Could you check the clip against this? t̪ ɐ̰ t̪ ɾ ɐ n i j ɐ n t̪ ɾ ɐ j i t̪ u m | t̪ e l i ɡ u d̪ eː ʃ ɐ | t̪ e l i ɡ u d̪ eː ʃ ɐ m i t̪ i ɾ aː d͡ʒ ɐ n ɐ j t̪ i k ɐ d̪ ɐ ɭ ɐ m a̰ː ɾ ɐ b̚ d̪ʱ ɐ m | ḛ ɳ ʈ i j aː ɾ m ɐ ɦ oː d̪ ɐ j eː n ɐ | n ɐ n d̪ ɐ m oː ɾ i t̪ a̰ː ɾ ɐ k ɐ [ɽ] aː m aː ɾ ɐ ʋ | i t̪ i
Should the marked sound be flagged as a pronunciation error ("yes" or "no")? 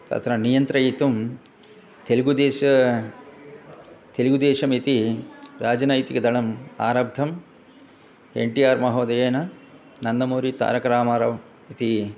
yes